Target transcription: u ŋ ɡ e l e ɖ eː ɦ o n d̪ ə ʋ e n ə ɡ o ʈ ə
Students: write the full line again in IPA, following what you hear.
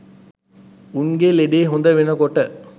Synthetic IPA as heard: u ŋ ɡ e l e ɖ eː ɦ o n d̪ ə ʋ e n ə k o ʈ ə